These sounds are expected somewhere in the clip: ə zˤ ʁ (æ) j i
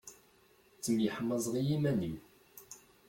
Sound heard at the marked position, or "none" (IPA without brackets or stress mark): i